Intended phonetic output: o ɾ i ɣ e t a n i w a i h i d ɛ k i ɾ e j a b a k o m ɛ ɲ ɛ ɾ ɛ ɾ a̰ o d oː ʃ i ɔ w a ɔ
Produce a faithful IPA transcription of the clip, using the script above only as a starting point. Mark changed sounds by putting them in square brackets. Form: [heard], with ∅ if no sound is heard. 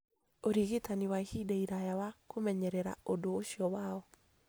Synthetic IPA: o ɾ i ɣ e t a n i w a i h i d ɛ [∅] i ɾ [a] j a [w] a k o m ɛ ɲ ɛ ɾ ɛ ɾ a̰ o d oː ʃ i ɔ w a ɔ